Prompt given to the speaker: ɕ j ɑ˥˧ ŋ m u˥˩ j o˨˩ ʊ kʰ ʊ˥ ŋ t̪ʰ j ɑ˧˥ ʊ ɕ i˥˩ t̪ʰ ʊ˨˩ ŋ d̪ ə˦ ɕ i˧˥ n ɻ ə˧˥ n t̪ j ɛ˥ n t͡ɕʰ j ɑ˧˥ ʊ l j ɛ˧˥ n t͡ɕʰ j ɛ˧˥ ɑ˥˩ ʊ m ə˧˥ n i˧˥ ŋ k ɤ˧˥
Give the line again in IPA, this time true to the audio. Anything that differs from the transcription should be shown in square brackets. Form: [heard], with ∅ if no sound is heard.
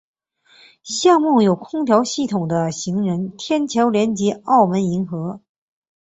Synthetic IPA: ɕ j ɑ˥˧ ŋ m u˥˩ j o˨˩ ʊ kʰ ʊ˥ ŋ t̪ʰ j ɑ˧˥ ʊ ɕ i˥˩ t̪ʰ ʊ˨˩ ŋ d̪ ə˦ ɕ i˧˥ [ŋ] ɻ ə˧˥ n [t̪ʰ] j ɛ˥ n t͡ɕʰ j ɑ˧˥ ʊ l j ɛ˧˥ n [t͡ɕ] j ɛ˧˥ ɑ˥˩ ʊ m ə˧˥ n i˧˥ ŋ [x] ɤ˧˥